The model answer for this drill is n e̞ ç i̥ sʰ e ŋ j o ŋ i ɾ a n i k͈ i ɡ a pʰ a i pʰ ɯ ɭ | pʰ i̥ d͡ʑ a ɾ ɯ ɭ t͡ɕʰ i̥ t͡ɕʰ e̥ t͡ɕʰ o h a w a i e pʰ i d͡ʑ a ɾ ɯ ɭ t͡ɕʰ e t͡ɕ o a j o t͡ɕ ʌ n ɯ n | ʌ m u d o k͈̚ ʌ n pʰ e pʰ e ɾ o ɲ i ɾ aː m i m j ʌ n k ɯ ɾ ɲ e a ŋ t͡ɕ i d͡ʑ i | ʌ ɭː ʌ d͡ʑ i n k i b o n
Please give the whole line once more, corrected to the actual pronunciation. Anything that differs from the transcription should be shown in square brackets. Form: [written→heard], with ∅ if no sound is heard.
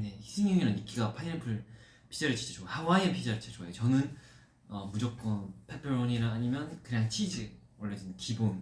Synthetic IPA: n e̞ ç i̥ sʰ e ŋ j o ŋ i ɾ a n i k͈ i ɡ a pʰ a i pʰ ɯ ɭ | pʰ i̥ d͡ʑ a ɾ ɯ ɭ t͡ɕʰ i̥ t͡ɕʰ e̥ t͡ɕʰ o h a w a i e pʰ i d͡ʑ a ɾ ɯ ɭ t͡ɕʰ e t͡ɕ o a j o t͡ɕ ʌ n ɯ n | ʌ m u [d→d͡ʑ] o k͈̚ ʌ n pʰ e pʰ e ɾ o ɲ i ɾ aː [m→ɲ] i m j ʌ n k ɯ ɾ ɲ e a ŋ [t͡ɕ→t͡ɕʰ] i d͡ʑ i | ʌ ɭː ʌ d͡ʑ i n k i b o n